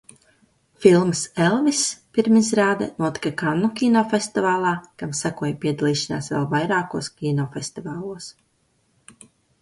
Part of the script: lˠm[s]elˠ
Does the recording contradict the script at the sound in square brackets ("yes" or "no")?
no